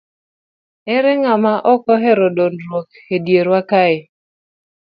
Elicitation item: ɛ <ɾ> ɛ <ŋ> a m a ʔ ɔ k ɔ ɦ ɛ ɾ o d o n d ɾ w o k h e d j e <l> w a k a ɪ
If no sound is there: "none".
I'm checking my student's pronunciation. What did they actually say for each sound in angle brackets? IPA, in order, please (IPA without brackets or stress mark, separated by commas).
ɾ, ŋ, ɾ